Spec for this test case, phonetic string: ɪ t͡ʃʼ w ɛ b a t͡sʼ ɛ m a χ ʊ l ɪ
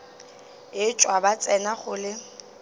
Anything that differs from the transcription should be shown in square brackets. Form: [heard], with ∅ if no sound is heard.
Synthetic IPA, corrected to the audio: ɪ t͡ʃʼ w [a] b a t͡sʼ ɛ [n] a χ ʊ l ɪ

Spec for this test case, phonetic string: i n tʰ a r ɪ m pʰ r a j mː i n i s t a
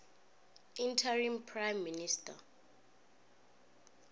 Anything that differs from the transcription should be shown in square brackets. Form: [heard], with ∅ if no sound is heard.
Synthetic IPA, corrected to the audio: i n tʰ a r [i] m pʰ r a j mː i n i s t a

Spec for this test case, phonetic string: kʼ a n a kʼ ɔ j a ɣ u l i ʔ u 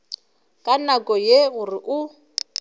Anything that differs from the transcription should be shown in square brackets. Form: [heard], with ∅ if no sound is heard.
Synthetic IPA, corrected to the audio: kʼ a n a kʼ ɔ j [e] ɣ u [r] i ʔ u

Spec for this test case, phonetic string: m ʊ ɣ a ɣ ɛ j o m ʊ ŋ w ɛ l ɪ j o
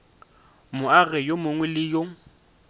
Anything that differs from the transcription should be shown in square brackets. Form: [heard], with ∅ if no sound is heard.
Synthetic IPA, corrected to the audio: m ʊ [∅] a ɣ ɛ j o m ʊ ŋ w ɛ l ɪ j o

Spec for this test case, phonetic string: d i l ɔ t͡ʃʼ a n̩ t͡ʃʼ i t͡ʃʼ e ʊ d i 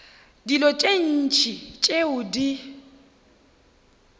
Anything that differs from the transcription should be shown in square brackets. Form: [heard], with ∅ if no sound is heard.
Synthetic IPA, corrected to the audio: d i l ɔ t͡ʃʼ [e] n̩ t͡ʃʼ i t͡ʃʼ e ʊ d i

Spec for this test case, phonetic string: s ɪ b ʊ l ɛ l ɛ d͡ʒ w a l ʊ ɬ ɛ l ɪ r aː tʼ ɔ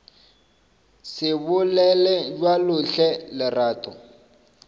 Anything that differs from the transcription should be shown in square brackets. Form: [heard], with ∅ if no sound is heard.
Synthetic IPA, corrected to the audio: s ɪ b ʊ l ɛ l ɛ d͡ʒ w a l ʊ ɬ ɛ l ɪ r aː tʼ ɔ

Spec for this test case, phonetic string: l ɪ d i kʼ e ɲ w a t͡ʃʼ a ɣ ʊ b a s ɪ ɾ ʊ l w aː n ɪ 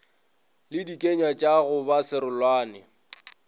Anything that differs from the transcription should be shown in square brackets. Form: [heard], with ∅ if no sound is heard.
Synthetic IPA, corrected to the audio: l ɪ d i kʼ e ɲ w a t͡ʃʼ a ɣ ʊ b a s ɪ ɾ ʊ l w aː n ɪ

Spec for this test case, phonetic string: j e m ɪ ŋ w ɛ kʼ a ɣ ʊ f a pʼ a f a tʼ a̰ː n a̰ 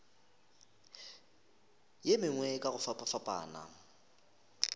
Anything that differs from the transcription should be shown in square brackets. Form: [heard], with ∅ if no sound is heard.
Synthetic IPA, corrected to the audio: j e m ɪ ŋ w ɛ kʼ a ɣ ʊ f a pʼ a f a [pʼ] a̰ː n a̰

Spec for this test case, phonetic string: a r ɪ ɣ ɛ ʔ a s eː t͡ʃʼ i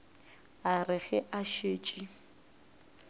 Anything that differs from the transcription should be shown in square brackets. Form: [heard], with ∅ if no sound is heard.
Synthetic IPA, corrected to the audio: a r ɪ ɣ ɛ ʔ a [ʃ] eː t͡ʃʼ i

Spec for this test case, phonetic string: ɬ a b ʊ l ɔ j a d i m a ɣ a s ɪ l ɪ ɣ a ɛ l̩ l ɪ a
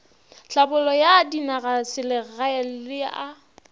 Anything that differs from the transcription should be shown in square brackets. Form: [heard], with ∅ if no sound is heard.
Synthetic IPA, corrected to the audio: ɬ a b ʊ l ɔ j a d i [n] a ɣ a s ɪ l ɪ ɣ a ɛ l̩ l ɪ a

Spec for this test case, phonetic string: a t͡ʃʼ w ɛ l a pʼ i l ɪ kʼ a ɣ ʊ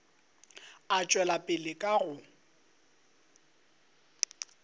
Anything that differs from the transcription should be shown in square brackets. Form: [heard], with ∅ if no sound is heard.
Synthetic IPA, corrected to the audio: a t͡ʃʼ w ɛ l a pʼ [ɪ] l ɪ kʼ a ɣ ʊ

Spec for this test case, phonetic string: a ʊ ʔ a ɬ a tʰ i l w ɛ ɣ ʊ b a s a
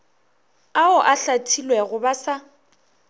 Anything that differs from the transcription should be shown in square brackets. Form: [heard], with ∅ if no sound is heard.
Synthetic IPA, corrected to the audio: a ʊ ʔ a ɬ a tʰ i l w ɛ ɣ ʊ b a s a

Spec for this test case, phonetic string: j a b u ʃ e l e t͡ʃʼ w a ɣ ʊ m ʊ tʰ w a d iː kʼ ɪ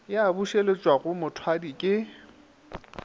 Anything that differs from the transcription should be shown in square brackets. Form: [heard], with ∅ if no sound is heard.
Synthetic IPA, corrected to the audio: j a b u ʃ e l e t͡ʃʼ w a ɣ ʊ m ʊ tʰ w a d [i] kʼ ɪ

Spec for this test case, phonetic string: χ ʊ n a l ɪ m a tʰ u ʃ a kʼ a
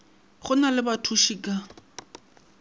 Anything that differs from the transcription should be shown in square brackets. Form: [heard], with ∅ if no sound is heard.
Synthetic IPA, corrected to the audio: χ ʊ n a l ɪ [b] a tʰ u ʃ [i] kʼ a

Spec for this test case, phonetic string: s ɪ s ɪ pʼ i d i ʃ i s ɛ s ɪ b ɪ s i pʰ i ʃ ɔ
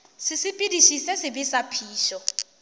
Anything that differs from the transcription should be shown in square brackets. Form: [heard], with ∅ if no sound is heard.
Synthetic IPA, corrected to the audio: s ɪ s ɪ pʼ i d i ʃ i s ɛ s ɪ b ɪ s [a] pʰ [iː] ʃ ɔ

